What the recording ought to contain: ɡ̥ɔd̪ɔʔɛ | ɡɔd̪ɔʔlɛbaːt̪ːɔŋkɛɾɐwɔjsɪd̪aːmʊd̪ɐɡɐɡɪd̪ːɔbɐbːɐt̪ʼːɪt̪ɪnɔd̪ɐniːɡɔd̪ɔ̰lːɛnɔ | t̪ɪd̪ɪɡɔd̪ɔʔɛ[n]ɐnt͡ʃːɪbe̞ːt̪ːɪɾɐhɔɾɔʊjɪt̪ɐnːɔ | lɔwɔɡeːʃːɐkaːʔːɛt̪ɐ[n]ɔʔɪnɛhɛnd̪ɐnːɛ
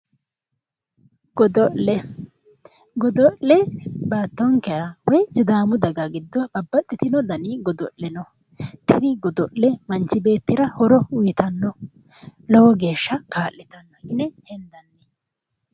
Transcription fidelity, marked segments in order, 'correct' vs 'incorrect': incorrect: m, incorrect: nː

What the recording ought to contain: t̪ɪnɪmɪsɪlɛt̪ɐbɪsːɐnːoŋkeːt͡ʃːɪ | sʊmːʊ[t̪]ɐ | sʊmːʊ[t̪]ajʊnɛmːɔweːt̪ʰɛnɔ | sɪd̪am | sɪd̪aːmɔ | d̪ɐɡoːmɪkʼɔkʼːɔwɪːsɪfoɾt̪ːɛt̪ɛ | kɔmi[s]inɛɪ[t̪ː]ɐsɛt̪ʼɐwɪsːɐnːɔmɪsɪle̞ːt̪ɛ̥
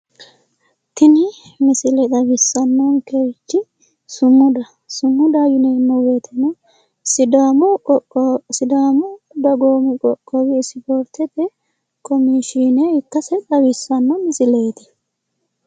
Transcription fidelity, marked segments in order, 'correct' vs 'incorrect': incorrect: d̪, incorrect: d̪, incorrect: ʃ, correct

